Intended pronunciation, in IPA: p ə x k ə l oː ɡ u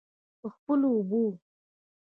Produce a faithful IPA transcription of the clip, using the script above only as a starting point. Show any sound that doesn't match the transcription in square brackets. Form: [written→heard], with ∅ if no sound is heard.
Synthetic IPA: p ə x [k→p] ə l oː [ɡ→b] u